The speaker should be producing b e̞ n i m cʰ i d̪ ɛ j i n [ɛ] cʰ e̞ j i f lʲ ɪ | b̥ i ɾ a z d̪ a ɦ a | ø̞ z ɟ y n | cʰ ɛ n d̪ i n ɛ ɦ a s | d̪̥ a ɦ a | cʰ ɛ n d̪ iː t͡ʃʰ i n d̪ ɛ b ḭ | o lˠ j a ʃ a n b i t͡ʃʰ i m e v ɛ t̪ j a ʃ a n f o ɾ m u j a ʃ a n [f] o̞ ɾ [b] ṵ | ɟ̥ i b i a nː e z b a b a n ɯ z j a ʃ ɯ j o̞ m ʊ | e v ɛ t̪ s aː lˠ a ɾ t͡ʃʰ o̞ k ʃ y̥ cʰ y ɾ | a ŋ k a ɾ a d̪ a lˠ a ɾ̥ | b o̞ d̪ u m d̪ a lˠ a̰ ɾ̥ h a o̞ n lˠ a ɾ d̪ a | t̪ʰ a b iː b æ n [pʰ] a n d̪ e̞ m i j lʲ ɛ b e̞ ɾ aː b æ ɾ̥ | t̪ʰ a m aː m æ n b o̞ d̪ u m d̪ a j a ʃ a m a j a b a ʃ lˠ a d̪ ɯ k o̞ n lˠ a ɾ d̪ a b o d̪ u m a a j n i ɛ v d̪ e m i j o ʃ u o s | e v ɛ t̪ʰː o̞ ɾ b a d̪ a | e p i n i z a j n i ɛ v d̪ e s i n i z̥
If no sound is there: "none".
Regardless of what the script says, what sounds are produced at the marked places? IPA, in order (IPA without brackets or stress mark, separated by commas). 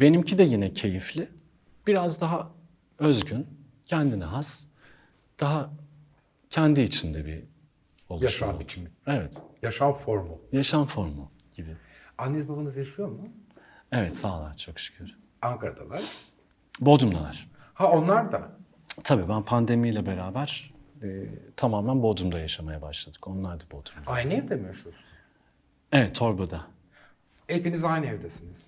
ɛ, f, m, pʰ